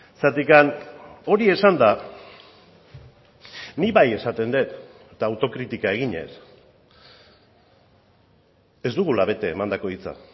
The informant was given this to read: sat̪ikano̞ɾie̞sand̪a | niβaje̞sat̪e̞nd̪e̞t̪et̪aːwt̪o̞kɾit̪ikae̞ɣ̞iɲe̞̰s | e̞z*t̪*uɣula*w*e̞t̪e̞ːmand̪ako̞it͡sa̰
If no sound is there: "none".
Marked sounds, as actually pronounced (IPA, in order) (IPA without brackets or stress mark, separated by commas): d̪, β